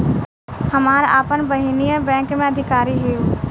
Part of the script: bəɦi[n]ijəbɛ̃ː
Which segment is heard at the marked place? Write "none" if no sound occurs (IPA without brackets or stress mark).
n